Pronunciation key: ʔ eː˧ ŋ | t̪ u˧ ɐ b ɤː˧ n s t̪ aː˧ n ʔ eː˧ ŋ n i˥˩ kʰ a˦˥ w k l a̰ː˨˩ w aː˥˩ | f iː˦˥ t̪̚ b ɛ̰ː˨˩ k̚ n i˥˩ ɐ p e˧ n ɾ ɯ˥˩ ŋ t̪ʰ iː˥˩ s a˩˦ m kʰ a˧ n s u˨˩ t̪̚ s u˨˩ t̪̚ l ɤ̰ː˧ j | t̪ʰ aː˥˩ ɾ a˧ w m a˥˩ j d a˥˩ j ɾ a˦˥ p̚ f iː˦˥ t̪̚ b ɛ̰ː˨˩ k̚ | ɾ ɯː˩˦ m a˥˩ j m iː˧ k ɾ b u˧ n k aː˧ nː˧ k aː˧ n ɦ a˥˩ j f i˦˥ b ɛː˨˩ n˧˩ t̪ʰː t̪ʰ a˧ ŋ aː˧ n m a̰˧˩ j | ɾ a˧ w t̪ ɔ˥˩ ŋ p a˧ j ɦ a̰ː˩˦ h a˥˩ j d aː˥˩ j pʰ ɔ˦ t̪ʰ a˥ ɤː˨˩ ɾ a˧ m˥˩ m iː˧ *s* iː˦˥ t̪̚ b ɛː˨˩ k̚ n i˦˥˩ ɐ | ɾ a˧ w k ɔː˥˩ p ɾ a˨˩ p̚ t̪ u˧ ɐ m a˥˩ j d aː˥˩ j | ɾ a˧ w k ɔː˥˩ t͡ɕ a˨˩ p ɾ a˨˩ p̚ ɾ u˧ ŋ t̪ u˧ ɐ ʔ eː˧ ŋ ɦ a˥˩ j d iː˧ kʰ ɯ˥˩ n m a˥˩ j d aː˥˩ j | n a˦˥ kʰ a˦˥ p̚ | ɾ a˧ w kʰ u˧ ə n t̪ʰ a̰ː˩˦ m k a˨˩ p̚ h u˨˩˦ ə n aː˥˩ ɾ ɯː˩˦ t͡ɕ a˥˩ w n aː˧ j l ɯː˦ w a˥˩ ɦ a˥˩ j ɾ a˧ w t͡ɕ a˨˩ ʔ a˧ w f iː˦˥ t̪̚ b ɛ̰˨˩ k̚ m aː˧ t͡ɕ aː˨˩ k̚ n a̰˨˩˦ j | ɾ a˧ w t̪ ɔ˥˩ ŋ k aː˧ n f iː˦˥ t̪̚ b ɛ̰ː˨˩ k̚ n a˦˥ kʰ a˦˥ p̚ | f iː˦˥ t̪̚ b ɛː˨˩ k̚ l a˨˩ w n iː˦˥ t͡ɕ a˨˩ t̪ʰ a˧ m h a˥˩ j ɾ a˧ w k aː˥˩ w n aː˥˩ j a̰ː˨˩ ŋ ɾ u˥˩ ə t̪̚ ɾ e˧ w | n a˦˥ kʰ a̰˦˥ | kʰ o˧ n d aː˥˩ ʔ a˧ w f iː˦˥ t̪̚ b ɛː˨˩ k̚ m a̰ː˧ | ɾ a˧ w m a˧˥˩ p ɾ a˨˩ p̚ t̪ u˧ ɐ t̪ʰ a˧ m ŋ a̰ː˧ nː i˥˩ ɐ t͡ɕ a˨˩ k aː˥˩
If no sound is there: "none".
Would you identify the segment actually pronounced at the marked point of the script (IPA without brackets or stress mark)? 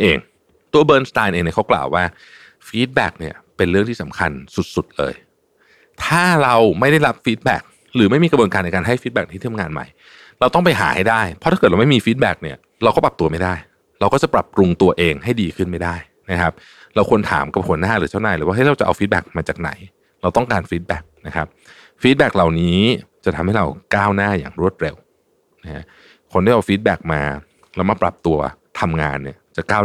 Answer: f